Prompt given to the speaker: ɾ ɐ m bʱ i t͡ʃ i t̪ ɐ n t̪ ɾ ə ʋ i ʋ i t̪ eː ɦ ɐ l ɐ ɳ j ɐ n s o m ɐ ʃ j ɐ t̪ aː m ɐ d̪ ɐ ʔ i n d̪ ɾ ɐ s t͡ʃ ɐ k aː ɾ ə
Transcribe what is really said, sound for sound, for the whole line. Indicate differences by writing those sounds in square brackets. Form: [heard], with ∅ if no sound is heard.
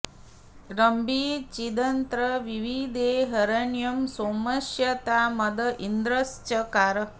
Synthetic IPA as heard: ɾ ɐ m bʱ i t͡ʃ i [d̪] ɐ n t̪ ɾ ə ʋ i ʋ i [d̪] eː ɦ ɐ [ɾ] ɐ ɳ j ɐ [m] s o m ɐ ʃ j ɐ t̪ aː m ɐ d̪ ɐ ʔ i n d̪ ɾ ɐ s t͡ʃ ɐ k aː ɾ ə